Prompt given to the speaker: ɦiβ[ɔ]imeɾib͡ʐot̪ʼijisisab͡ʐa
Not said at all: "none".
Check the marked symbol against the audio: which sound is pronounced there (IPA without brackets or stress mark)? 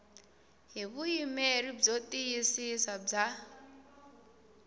u